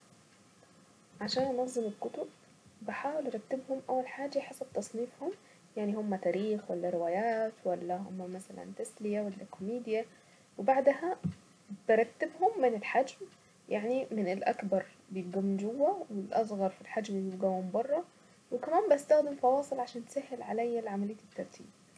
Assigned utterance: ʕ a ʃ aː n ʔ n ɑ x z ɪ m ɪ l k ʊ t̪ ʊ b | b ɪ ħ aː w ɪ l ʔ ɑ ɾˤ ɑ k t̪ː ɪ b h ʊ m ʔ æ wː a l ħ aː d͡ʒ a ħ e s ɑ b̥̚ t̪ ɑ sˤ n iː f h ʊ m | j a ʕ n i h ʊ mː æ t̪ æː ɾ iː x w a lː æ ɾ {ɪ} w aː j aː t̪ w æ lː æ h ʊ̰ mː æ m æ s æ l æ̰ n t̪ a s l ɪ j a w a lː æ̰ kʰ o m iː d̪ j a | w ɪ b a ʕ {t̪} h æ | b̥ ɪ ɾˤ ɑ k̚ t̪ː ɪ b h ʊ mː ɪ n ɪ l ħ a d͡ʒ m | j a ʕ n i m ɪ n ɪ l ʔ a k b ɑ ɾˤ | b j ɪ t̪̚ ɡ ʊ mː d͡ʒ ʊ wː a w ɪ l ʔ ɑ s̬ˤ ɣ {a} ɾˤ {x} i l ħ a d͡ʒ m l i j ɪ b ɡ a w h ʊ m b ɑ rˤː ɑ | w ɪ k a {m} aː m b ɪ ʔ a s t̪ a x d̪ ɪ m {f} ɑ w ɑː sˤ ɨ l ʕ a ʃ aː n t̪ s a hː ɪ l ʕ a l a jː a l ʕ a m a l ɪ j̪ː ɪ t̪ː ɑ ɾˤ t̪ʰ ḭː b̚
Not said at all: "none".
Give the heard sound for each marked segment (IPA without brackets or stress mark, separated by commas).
ɪ, d̪, ɑ, f, m, f